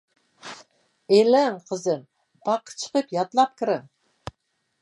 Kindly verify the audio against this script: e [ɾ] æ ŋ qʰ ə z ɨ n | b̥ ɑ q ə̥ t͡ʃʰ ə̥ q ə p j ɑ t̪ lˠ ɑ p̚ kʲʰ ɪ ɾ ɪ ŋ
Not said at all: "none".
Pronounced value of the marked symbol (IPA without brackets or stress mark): l